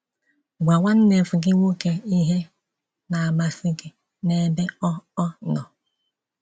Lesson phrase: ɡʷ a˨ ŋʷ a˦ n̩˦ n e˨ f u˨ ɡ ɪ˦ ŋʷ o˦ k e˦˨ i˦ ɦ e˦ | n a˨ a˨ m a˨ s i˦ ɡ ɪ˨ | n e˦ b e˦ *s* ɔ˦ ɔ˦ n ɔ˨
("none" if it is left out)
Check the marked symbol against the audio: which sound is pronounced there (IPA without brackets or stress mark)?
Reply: none